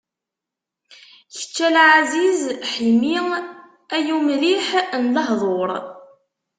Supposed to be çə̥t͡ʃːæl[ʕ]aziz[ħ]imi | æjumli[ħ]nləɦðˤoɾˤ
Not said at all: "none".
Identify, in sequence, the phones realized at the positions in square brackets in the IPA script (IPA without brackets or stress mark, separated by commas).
ʕ, ħ, ħ